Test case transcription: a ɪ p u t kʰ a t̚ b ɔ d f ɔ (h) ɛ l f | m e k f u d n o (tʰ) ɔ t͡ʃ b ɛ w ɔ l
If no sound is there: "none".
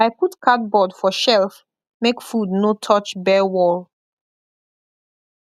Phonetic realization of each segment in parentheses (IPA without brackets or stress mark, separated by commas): ʃ, tʰ